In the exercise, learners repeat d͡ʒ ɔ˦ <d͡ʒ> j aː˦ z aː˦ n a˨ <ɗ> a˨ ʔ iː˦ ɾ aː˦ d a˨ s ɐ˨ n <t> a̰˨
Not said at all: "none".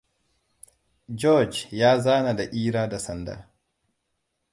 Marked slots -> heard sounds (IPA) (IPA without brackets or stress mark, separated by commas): d͡ʒ, d, d